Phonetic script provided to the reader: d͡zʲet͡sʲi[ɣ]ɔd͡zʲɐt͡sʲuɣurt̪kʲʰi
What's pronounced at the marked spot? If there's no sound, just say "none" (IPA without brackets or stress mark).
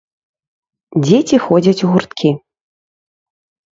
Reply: x